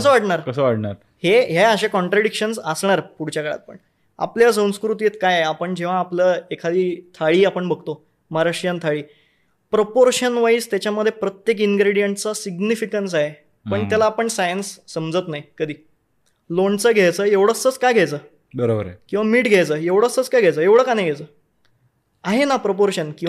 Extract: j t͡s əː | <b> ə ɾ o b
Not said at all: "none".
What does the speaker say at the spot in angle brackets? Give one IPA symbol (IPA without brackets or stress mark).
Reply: b